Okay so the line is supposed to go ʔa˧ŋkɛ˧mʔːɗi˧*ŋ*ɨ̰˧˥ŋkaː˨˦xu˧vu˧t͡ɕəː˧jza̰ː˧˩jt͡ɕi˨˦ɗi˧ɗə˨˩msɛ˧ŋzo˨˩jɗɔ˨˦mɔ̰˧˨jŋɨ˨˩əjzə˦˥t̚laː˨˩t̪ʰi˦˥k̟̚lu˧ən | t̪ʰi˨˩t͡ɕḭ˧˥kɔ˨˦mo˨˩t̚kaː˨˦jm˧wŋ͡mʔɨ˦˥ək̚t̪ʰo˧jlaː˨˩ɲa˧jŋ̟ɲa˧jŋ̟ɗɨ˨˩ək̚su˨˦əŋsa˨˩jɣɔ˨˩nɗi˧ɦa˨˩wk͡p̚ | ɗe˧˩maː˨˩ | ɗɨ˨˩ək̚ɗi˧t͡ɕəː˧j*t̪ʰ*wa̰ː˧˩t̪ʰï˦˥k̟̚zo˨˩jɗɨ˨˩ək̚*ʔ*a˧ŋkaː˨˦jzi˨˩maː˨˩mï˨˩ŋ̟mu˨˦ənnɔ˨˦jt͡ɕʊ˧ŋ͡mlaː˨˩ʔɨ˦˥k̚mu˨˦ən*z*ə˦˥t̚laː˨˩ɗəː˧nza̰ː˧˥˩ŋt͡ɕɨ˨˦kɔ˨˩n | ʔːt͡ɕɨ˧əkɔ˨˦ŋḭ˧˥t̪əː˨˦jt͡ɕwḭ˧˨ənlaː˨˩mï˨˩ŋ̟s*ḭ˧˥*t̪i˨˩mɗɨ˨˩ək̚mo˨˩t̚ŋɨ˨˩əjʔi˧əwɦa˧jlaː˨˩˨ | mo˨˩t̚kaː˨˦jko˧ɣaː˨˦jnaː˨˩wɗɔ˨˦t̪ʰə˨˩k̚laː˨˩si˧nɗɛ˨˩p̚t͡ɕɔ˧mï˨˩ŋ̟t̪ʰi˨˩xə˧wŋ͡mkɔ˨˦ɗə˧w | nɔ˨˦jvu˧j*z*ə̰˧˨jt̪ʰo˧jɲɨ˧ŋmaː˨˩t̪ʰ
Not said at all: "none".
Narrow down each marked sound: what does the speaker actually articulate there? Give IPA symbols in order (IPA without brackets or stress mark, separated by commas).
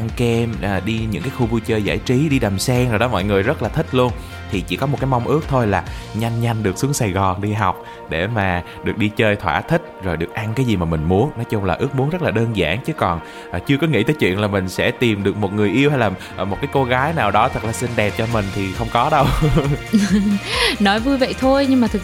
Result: ɲ, t̪ʰ, ʔ, z, ɛ̰˧˥, v